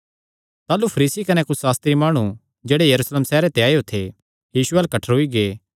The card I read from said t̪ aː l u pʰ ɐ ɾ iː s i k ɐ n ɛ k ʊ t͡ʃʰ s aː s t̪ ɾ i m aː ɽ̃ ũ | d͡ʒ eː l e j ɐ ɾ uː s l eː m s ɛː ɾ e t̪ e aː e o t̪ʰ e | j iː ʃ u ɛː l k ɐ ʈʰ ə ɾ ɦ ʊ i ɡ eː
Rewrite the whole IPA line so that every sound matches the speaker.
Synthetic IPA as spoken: t̪ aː l u pʰ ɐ ɾ iː s i k ɐ n ɛ k ʊ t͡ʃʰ s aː s t̪ ɾ i m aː ɽ̃ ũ | d͡ʒ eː ɽ e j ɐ ɾ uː s l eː m s ɛː ɾ e t̪ e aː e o t̪ʰ e | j iː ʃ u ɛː l k ɐ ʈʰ ə ɾ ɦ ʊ i ɡ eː